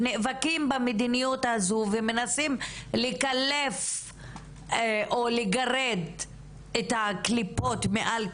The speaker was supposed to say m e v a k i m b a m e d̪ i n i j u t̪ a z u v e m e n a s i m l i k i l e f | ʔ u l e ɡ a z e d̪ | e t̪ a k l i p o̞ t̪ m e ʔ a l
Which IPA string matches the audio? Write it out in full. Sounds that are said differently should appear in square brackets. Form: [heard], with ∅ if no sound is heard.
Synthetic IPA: [n] e v a k i m b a m e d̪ i n i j u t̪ a z u v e m e n a s i m l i k [a] l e f | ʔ [o] l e ɡ a [ʁ] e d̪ | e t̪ a k l i p o̞ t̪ m e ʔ a l